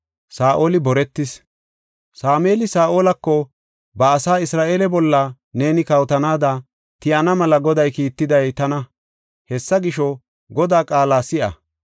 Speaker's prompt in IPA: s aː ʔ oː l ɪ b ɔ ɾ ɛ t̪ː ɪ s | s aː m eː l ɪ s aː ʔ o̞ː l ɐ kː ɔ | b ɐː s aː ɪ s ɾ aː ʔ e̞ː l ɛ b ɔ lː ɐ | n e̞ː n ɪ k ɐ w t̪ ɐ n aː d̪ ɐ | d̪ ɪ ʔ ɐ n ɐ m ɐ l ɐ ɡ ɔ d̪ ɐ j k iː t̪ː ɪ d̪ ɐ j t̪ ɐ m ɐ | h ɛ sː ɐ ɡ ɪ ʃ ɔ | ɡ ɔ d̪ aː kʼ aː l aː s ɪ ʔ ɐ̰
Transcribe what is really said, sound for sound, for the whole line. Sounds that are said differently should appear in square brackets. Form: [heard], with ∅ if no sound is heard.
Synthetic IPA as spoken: s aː ʔ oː l ɪ b ɔ ɾ ɛ t̪ː ɪ s | s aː m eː l ɪ s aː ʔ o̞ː l ɐ kː ɔ | b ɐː s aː ɪ s ɾ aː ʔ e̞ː l ɛ b ɔ lː ɐ | n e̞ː n ɪ k ɐ w t̪ ɐ n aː d̪ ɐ | [t̪] ɪ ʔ ɐ n ɐ m ɐ l ɐ ɡ ɔ d̪ ɐ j k iː t̪ː ɪ d̪ ɐ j t̪ ɐ [n] ɐ | h ɛ sː ɐ ɡ ɪ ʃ ɔ | ɡ ɔ d̪ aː kʼ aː l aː s ɪ ʔ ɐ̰